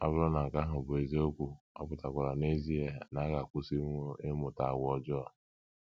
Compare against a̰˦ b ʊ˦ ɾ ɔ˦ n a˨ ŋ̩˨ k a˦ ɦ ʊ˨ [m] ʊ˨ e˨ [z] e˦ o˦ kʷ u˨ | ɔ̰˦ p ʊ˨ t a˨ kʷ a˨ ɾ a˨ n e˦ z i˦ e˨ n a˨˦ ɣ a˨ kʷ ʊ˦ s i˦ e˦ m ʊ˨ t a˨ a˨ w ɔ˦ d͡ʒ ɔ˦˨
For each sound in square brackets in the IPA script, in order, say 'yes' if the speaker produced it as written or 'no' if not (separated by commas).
no, yes